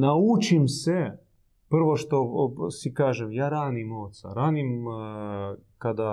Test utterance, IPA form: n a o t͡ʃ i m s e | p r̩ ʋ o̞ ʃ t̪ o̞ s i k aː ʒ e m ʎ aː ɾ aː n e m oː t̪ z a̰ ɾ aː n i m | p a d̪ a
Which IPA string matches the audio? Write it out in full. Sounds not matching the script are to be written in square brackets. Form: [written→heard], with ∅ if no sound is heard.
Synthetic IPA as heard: n a [o→u] t͡ʃ i m s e | p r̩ ʋ o̞ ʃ t̪ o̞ s i k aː ʒ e m [ʎ→j] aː ɾ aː n [e→i] m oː t̪ [z→s] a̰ ɾ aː n i m | [p→k] a d̪ a